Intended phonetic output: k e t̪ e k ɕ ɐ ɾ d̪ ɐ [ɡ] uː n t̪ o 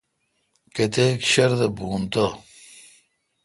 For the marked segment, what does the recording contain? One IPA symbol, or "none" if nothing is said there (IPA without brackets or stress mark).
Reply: b